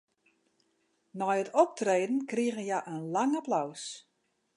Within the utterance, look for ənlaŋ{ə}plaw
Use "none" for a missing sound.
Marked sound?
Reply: a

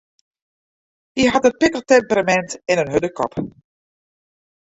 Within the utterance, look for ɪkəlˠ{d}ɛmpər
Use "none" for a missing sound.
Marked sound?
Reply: t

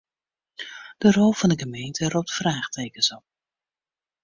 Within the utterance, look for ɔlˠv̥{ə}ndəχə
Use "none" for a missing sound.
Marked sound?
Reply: ɑ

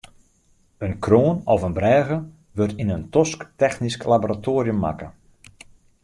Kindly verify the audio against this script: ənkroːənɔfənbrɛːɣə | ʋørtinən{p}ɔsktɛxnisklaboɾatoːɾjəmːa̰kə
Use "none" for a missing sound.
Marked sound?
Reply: t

